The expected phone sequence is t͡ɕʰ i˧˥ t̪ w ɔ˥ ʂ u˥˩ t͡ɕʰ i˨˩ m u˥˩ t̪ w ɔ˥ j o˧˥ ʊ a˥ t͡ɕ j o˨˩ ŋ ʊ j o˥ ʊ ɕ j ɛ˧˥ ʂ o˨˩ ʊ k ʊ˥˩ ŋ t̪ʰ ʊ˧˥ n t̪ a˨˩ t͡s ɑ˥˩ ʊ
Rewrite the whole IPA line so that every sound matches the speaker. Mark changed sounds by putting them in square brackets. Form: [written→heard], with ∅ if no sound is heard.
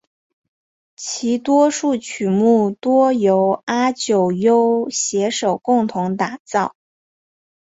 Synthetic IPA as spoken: t͡ɕʰ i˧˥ t̪ w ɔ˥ ʂ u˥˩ t͡ɕʰ [i˨˩→y˨˩] m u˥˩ t̪ w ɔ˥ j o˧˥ ʊ a˥ t͡ɕ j o˨˩ [ŋ→∅] ʊ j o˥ ʊ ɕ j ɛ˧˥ ʂ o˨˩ ʊ k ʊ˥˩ ŋ t̪ʰ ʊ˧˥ [n→ŋ] t̪ a˨˩ t͡s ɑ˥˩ ʊ